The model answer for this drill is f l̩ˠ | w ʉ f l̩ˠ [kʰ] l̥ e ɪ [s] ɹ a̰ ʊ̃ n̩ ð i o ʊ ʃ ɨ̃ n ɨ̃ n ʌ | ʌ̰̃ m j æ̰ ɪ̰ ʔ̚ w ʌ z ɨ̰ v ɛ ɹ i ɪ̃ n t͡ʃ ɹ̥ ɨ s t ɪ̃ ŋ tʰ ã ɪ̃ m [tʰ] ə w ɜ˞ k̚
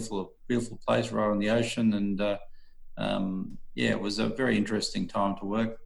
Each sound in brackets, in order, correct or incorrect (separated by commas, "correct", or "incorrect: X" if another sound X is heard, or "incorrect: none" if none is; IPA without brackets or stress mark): incorrect: pʰ, correct, correct